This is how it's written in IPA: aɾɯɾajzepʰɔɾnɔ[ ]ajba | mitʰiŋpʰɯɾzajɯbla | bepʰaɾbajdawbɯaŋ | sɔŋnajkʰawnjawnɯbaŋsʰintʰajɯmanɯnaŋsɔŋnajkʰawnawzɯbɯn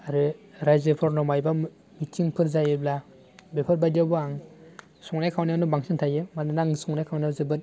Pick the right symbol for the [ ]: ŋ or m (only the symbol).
m